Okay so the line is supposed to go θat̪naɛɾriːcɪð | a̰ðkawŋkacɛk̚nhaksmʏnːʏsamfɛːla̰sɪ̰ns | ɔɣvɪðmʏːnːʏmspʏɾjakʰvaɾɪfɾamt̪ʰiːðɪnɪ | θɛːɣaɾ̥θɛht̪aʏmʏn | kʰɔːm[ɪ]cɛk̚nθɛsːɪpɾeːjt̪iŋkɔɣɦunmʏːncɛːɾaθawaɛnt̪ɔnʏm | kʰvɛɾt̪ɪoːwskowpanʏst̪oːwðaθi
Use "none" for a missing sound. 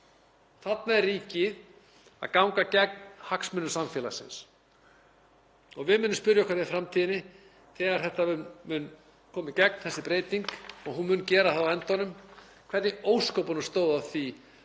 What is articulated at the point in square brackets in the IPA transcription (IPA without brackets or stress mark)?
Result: ɪ